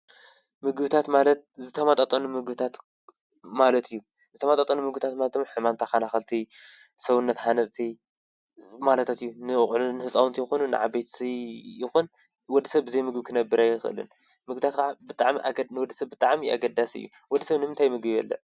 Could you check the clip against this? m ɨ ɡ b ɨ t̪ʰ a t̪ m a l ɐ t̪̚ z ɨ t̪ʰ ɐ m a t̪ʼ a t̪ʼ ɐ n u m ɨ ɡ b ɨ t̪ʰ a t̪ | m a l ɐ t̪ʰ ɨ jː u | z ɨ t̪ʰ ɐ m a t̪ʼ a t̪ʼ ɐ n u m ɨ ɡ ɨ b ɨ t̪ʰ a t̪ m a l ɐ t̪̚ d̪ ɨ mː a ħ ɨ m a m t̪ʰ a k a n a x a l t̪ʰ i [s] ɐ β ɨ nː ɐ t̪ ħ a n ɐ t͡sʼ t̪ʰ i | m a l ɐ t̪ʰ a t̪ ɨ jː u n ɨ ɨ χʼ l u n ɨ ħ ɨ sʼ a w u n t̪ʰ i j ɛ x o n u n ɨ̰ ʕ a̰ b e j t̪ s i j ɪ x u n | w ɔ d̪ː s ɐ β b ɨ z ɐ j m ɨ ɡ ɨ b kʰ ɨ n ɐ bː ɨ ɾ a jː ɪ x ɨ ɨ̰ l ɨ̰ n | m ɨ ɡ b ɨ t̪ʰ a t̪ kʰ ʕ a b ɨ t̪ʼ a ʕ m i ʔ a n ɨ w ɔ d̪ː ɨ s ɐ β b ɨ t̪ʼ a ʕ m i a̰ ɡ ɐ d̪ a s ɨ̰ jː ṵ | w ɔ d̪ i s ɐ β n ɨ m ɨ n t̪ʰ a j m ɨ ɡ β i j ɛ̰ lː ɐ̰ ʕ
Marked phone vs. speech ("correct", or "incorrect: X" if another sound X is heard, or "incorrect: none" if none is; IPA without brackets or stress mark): correct